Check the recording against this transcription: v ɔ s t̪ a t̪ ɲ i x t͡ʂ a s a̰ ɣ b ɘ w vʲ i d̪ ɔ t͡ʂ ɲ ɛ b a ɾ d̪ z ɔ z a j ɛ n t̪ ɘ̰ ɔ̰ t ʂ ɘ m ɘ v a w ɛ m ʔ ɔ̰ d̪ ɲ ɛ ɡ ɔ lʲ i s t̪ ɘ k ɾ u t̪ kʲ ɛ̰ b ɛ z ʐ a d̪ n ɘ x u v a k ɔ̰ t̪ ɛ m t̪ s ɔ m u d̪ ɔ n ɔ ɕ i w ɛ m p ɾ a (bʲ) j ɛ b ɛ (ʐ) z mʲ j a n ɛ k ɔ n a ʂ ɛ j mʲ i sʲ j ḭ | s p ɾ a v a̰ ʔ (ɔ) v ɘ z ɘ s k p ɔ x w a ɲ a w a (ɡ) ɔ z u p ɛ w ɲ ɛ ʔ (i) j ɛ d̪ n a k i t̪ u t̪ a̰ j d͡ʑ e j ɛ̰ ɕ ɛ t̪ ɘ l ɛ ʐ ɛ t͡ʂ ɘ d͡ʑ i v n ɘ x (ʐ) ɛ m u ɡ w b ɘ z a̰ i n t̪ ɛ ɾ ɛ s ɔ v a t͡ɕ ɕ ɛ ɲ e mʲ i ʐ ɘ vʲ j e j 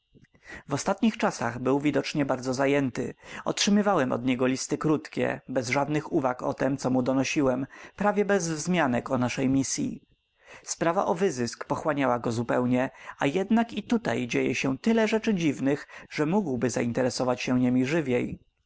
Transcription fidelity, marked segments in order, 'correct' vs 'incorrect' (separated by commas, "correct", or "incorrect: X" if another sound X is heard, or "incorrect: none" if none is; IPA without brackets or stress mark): incorrect: vʲ, incorrect: z, correct, correct, incorrect: a, correct